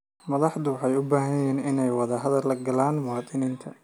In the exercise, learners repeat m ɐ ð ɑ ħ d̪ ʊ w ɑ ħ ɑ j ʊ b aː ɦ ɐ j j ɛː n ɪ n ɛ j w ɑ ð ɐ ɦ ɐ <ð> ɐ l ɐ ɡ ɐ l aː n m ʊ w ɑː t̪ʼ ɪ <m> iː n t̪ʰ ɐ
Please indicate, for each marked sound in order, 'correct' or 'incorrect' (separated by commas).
correct, incorrect